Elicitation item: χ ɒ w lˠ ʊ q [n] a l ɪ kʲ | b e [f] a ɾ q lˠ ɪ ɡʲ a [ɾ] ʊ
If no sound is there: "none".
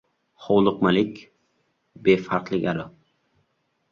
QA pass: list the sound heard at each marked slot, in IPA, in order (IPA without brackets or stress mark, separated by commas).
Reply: m, f, ɾ